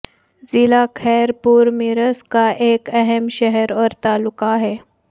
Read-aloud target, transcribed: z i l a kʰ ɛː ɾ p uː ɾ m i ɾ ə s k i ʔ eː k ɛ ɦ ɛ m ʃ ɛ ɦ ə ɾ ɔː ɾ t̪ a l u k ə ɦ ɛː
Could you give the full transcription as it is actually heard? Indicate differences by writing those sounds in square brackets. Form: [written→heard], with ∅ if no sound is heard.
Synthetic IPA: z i l a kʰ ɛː ɾ p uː ɾ m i ɾ ə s k [i→a] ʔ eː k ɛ ɦ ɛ m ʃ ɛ ɦ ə ɾ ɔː ɾ t̪ a l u k [ə→a] ɦ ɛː